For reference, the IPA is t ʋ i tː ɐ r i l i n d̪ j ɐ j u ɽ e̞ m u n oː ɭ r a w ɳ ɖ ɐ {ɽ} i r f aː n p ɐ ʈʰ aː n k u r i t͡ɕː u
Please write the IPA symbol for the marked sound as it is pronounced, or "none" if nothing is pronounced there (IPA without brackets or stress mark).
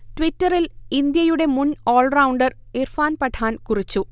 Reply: r